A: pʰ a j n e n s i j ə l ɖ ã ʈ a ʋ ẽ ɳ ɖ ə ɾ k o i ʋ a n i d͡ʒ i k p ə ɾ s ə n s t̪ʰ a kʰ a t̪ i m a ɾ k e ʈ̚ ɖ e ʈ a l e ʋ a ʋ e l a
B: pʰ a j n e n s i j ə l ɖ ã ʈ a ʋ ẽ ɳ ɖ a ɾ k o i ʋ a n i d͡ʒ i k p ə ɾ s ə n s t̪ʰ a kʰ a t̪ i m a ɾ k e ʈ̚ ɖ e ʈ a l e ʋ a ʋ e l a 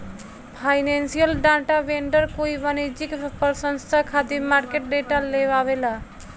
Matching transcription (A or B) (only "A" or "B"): A